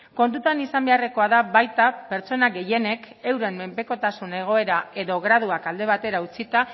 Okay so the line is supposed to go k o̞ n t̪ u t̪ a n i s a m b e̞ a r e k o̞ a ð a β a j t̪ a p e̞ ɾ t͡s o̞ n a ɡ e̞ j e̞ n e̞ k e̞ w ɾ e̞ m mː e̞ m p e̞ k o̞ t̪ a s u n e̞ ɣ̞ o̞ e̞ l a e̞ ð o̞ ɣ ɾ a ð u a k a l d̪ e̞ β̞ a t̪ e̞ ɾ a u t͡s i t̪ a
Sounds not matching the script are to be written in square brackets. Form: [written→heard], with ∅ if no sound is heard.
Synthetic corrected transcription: k o̞ n t̪ u t̪ a n i s a m b e̞ a r e k o̞ a ð a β a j t̪ a p e̞ ɾ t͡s o̞ n a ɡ e̞ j e̞ n e̞ k e̞ w ɾ e̞ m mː e̞ m p e̞ k o̞ t̪ a s u n e̞ ɣ̞ o̞ e̞ [l→ɾ] a e̞ ð o̞ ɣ ɾ a ð u a k a l d̪ e̞ β̞ a t̪ e̞ ɾ a u t͡s i t̪ a